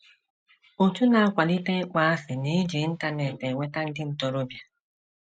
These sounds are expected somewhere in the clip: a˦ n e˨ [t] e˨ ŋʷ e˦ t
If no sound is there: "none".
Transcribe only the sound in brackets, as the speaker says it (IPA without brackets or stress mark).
t